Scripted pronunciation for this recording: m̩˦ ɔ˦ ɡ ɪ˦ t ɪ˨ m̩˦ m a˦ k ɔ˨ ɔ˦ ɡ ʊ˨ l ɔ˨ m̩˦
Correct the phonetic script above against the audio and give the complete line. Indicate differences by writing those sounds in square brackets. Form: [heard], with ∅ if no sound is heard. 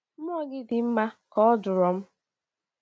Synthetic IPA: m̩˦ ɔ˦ ɡ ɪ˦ [d] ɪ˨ m̩˦ m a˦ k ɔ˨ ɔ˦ [d] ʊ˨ [ɾ] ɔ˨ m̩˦